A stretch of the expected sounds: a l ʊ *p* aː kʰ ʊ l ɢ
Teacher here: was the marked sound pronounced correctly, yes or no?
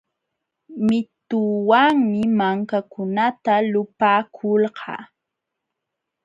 yes